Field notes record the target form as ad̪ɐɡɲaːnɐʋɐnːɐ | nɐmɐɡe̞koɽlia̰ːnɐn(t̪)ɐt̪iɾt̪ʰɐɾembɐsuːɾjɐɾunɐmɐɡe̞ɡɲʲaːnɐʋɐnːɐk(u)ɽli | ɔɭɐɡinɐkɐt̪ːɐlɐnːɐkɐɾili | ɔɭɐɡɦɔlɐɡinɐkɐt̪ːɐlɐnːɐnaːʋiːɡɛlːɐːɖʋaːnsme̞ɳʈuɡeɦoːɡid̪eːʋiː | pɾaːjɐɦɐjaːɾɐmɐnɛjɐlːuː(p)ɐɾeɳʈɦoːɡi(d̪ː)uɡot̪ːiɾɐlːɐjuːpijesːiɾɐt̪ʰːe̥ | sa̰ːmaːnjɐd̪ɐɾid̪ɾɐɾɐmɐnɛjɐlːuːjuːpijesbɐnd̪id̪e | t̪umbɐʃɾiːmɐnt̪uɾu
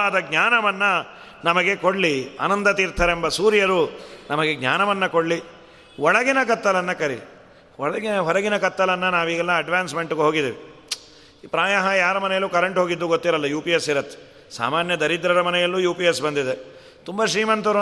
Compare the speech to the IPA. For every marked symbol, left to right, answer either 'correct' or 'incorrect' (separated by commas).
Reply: incorrect, incorrect, incorrect, correct